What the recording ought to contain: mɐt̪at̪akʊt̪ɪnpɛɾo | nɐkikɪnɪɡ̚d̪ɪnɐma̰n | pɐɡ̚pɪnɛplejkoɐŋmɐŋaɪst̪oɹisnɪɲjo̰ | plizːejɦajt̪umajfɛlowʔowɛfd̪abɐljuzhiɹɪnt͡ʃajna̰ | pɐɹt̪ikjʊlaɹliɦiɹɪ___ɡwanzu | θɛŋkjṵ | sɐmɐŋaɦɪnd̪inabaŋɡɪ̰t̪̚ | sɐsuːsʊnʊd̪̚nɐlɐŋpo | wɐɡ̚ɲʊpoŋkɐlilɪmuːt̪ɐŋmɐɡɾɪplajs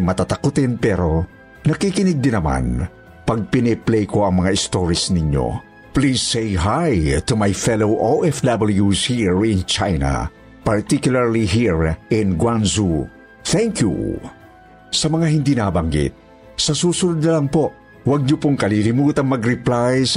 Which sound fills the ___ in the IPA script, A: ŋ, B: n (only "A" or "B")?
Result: B